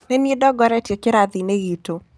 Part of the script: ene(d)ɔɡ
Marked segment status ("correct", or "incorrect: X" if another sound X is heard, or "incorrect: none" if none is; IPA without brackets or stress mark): correct